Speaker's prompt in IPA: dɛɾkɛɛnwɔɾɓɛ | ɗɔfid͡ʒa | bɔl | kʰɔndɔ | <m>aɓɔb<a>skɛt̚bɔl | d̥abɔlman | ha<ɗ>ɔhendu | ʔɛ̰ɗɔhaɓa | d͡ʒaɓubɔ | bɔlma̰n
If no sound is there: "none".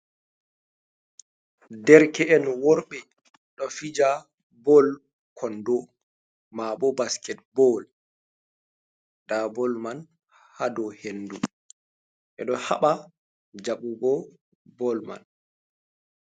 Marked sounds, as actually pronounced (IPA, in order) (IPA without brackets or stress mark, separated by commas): m, a, d